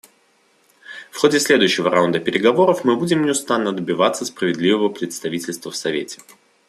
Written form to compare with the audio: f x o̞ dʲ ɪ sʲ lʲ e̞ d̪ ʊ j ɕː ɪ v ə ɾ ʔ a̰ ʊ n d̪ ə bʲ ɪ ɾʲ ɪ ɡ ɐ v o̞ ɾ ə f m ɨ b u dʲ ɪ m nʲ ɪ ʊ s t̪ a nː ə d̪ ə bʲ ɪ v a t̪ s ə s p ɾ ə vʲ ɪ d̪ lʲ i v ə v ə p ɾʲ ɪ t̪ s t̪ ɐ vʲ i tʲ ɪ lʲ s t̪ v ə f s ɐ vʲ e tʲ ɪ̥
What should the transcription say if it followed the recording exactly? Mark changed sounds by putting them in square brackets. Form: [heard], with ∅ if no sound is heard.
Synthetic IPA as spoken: f x o̞ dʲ ɪ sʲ lʲ e̞ d̪ ʊ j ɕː ɪ v ə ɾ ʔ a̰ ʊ n d̪ ə [pʲ] ɪ ɾʲ ɪ ɡ ɐ v o̞ ɾ ə f m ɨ b u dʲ ɪ m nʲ ɪ ʊ s t̪ a nː ə d̪ ə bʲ ɪ v a t̪ s ə s p ɾ ə vʲ ɪ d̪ lʲ i v ə v ə p ɾʲ ɪ t̪ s t̪ ɐ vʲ i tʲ ɪ lʲ s t̪ v ə f s ɐ vʲ e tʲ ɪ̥